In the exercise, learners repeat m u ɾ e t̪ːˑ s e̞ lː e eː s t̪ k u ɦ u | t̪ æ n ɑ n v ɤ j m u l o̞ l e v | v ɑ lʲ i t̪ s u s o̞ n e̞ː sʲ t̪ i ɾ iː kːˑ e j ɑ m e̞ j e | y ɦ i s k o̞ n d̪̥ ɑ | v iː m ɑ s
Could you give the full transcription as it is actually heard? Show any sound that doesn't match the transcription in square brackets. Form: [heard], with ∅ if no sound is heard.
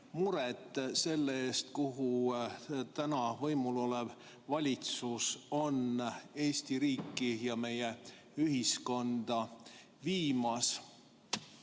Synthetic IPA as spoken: m u ɾ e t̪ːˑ s e̞ lː e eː s t̪ k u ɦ u | t̪ æ n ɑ [∅] v ɤ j m u l o̞ l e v | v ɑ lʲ i t̪ s u s o̞ n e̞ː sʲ t̪ i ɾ iː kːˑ [i] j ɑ m e̞ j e | y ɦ i s k o̞ n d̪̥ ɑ | v iː m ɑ s